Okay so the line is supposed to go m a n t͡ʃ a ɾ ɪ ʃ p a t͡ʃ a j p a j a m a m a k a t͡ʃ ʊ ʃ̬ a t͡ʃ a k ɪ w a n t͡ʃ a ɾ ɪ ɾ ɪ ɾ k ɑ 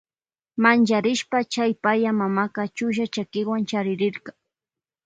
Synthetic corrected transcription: m a n t͡ʃ a ɾ ɪ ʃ p a t͡ʃ a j p a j a m a m a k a t͡ʃ ʊ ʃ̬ a t͡ʃ a k ɪ w a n t͡ʃ a ɾ ɪ ɾ ɪ ɾ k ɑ